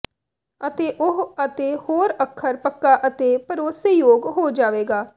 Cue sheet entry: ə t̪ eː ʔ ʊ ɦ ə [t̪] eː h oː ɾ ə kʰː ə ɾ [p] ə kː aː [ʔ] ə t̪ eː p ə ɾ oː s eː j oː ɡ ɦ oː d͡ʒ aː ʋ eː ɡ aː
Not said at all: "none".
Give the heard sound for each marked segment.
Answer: t̪, p, ʔ

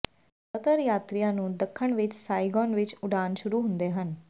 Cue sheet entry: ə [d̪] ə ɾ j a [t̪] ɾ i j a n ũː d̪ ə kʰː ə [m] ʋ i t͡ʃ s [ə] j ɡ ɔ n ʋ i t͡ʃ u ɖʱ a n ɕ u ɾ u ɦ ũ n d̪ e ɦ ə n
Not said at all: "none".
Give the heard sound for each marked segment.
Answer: t̪, t̪, ɳ, a

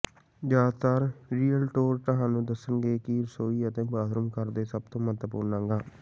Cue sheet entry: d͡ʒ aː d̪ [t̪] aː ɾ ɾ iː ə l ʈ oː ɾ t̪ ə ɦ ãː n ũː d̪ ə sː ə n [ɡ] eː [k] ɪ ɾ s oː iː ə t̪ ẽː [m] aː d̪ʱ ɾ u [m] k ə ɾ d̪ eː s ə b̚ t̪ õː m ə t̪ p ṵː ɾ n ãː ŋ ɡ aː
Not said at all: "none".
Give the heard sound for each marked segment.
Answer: t̪, ɡ, k, b, m

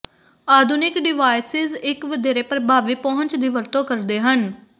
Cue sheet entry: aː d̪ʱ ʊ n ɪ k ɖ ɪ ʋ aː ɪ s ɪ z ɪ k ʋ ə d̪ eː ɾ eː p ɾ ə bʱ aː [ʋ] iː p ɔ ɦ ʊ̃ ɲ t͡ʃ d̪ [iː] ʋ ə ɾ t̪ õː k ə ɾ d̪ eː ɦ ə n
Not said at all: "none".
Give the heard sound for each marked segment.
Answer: ʋ, iː

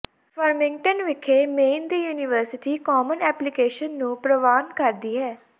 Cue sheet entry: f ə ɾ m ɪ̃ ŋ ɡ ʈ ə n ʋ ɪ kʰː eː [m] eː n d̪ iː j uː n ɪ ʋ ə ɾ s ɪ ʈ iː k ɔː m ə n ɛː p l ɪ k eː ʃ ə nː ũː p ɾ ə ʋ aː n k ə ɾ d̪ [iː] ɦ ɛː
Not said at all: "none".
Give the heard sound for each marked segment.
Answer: m, iː

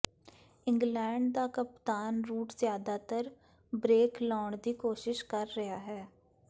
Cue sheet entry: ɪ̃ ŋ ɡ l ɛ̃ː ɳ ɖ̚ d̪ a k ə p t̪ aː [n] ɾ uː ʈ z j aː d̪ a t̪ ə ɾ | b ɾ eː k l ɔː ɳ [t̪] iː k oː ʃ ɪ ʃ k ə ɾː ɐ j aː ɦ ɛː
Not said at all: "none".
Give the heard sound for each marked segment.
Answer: n, d̪

